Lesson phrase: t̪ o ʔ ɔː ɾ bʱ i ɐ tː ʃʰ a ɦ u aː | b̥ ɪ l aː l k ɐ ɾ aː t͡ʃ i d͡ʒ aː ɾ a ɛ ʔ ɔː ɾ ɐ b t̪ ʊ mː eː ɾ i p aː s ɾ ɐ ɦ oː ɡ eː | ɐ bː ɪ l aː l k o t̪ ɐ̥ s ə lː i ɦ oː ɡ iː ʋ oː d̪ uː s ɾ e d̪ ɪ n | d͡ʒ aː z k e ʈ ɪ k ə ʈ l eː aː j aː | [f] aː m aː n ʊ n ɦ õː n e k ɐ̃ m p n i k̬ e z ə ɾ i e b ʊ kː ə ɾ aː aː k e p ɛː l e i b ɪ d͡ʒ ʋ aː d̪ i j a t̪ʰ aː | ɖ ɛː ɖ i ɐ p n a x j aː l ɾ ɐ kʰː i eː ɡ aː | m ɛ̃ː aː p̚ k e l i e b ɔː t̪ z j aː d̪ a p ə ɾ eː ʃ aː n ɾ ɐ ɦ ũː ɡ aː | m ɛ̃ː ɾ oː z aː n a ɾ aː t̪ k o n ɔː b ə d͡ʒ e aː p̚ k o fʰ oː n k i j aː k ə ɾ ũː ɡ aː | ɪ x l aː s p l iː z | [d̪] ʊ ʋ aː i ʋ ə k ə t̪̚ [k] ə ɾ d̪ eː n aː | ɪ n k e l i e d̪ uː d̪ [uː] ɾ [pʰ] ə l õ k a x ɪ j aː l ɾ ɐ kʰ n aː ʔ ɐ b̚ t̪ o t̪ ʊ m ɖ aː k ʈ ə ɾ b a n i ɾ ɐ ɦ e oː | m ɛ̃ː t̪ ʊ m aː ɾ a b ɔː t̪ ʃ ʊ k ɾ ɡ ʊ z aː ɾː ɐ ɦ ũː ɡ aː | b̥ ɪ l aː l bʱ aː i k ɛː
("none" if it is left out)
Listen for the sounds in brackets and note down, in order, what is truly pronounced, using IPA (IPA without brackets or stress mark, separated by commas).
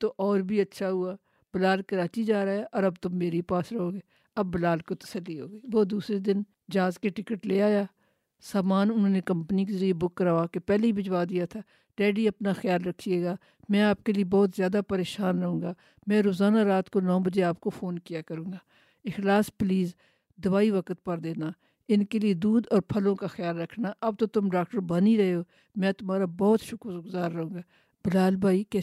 s, d̪, p, ɔː, pʰ